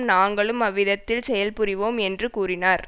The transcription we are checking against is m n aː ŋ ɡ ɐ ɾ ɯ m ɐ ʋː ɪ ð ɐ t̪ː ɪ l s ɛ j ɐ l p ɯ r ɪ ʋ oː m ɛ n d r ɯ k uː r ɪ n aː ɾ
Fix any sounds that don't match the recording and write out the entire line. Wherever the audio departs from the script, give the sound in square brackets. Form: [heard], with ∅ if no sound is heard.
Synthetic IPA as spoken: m n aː ŋ ɡ ɐ [ɭ] ɯ m ɐ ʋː ɪ ð ɐ t̪ː ɪ l s ɛ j ɐ l p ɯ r ɪ ʋ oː m ɛ n d r ɯ k uː r ɪ n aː ɾ